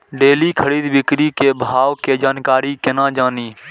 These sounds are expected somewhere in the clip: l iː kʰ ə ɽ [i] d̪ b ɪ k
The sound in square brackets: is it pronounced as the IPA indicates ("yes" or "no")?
no